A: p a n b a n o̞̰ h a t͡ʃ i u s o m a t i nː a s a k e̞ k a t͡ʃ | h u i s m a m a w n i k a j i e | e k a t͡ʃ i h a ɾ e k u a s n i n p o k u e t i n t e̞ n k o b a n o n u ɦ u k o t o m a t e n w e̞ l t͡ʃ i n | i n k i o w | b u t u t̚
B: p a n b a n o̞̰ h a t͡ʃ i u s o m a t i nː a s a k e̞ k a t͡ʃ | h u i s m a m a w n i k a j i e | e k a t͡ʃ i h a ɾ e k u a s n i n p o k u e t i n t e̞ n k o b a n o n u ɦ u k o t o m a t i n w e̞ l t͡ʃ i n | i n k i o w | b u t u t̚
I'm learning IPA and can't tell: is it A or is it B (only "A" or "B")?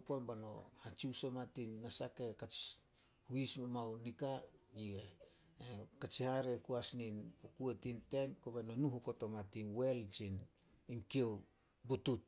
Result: B